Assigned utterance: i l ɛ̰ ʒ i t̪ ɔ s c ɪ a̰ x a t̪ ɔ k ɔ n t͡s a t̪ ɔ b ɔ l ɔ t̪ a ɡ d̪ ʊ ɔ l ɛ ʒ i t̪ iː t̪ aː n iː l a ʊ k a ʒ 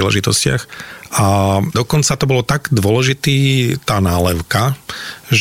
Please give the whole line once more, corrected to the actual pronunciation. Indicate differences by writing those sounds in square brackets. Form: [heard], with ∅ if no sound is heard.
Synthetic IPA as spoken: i l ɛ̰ ʒ i t̪ ɔ s c ɪ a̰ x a [d̪] ɔ k ɔ n t͡s a t̪ ɔ b ɔ l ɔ t̪ a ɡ d̪ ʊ ɔ l ɛ ʒ i t̪ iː t̪ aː n [aː] l [ɛ] ʊ k a ʒ